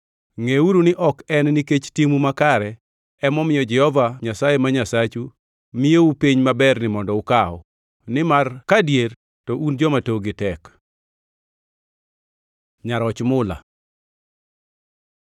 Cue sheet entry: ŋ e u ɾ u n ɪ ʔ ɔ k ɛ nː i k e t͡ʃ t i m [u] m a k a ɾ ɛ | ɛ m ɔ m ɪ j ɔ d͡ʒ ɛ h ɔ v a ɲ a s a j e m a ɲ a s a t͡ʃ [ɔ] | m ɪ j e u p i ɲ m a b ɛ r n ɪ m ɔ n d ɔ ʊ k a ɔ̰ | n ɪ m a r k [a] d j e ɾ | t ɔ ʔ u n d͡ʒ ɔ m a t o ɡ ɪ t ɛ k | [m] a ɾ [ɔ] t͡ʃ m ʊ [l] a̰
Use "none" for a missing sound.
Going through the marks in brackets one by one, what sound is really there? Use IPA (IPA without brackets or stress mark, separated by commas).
u, u, a, ɲ, ɔ, l